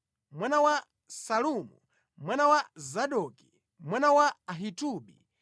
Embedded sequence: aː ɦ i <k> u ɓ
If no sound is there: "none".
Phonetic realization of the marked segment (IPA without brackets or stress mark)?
t